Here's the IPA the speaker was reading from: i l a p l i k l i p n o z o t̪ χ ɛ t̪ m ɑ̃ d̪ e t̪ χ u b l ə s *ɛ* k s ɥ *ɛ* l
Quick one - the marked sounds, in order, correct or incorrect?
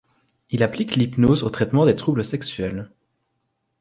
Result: correct, correct

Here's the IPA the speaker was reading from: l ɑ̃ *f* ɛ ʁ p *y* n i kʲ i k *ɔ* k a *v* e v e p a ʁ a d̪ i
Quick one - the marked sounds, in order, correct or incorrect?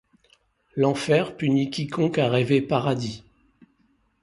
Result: correct, correct, incorrect: ɔ̃, incorrect: ʁ

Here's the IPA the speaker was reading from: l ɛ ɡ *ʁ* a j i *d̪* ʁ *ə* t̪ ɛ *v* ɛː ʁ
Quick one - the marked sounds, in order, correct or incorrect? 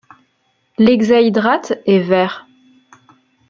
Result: incorrect: z, correct, incorrect: a, correct

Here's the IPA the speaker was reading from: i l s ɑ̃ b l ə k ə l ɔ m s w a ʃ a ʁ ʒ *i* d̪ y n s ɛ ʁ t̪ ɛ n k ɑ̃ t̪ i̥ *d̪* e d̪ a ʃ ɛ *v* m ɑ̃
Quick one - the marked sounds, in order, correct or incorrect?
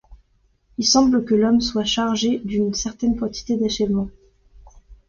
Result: incorrect: e, incorrect: t̪, correct

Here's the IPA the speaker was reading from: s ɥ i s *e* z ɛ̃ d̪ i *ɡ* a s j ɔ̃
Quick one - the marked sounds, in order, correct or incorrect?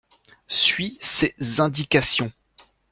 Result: correct, incorrect: k

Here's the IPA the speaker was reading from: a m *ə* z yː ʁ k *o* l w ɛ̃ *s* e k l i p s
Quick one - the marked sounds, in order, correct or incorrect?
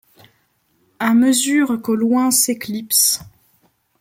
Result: correct, correct, correct

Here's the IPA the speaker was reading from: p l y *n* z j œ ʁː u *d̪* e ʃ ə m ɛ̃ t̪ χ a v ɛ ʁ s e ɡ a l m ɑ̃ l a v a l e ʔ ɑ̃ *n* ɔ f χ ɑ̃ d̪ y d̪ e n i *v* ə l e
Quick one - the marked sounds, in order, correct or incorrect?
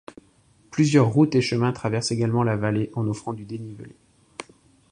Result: incorrect: none, incorrect: t̪, correct, correct

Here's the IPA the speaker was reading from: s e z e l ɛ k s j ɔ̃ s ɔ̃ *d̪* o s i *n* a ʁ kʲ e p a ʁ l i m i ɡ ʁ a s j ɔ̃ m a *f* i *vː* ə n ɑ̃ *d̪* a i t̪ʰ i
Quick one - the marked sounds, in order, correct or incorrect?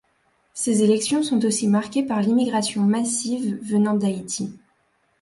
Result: incorrect: t̪, incorrect: m, incorrect: s, correct, correct

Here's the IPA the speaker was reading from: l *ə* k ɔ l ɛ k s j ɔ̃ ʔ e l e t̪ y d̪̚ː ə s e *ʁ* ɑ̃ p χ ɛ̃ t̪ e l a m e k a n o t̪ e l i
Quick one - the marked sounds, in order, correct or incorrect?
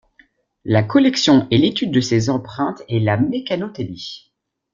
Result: incorrect: a, incorrect: z

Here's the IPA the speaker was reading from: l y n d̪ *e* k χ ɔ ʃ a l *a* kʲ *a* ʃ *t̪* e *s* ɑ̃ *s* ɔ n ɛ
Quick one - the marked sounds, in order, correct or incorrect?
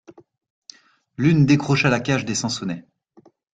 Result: correct, correct, correct, incorrect: d̪, correct, correct

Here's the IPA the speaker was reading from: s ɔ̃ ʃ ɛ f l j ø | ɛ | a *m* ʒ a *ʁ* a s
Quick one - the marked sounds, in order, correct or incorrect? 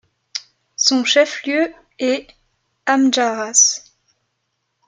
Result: correct, correct

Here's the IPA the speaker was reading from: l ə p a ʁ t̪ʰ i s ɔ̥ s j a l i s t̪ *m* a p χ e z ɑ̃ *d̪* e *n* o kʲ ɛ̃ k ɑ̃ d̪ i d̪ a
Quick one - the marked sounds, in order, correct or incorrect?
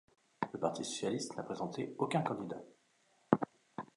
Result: incorrect: n, incorrect: t̪, incorrect: none

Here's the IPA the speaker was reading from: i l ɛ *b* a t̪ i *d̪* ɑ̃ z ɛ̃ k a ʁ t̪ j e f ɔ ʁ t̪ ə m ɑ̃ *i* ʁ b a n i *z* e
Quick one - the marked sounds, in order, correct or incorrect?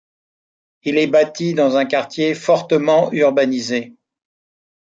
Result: correct, correct, incorrect: y, correct

